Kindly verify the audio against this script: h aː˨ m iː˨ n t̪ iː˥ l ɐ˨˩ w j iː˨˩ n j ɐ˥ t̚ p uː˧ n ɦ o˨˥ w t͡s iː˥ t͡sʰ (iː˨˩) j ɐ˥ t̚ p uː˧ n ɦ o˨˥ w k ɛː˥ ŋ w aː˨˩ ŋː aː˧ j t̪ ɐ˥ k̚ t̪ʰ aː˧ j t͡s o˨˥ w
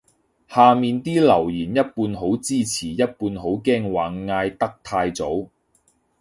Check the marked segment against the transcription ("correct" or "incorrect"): correct